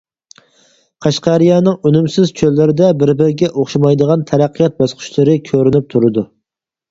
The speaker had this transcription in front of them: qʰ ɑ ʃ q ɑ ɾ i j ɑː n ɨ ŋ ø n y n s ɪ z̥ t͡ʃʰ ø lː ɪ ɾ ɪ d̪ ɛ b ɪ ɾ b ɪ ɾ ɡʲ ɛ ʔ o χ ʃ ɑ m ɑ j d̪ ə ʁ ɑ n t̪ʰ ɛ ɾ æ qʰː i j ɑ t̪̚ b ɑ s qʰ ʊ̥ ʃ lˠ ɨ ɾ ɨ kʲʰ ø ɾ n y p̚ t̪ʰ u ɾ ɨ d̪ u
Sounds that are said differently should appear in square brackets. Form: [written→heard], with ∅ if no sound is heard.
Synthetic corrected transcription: qʰ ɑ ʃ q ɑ ɾ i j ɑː n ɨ ŋ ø n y [n→m] s ɪ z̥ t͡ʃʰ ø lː ɪ ɾ ɪ d̪ ɛ b ɪ ɾ b ɪ ɾ ɡʲ ɛ ʔ o χ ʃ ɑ m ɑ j d̪ ə ʁ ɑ n t̪ʰ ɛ ɾ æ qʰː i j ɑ t̪̚ b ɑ s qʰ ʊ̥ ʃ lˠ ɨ ɾ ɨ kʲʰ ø ɾ n y p̚ t̪ʰ u ɾ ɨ d̪ u